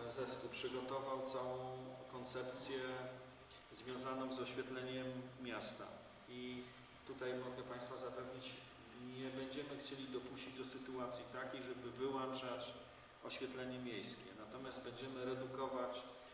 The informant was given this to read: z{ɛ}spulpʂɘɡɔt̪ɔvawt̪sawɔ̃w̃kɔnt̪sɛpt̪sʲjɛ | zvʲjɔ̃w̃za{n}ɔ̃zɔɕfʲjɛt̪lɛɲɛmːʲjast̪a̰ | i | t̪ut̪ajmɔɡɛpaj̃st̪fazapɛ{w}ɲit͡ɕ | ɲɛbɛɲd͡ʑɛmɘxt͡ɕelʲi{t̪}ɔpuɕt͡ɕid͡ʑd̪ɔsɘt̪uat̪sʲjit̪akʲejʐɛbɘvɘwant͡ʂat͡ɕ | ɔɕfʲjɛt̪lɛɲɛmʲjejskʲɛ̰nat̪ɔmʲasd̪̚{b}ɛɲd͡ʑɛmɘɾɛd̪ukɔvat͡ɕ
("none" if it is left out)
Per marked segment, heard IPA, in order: ɛ, n, v, d̪, b

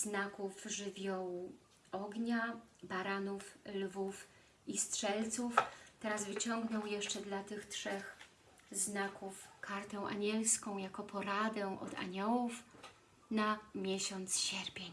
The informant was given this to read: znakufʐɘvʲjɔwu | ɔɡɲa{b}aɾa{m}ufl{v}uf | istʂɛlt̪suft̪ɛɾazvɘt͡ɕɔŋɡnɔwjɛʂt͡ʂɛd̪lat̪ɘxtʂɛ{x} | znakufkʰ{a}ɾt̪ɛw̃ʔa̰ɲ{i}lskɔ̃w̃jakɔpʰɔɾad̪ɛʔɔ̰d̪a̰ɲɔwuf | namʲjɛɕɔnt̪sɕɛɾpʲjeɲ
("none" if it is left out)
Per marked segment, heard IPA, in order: b, n, v, x, a, ɛ

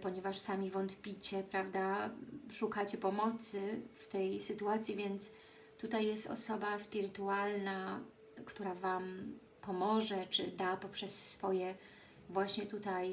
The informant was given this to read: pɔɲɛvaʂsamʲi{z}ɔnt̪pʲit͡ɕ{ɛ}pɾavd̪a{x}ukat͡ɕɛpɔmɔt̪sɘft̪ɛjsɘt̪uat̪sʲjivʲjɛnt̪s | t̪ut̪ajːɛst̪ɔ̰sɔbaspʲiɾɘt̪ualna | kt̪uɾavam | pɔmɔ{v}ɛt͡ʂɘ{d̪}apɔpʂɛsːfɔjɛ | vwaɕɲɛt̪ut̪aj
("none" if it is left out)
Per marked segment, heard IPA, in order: v, ɛ, ʂ, ʐ, d̪

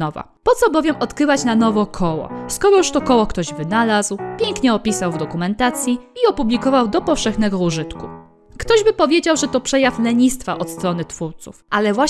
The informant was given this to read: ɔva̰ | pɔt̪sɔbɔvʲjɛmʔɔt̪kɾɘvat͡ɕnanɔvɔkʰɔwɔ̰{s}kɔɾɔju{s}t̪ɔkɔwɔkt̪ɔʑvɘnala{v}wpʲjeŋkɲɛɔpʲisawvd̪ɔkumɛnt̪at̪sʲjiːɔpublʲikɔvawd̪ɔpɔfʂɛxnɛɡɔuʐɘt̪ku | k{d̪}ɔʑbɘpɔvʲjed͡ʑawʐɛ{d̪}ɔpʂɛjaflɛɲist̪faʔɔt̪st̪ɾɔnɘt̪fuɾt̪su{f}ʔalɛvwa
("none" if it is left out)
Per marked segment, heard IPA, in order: s, ʂ, z, t̪, t̪, f

